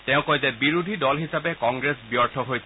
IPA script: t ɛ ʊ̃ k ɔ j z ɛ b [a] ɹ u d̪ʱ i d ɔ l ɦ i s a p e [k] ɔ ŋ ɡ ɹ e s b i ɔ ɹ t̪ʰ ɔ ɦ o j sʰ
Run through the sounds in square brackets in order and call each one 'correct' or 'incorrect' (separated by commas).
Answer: incorrect, correct